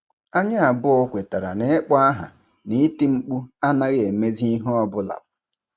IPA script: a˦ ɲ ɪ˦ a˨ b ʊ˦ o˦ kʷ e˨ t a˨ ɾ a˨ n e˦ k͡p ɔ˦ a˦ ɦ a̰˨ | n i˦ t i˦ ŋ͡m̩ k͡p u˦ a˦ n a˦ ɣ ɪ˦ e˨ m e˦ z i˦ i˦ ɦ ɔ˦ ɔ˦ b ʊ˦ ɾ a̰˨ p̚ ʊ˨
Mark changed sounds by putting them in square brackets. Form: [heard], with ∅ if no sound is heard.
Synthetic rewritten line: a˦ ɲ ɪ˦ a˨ b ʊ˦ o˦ kʷ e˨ t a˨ ɾ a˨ n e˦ k͡p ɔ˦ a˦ ɦ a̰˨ | n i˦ t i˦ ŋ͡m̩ k͡p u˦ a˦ n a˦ ɣ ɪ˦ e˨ m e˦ z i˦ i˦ ɦ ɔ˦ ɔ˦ b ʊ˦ [l] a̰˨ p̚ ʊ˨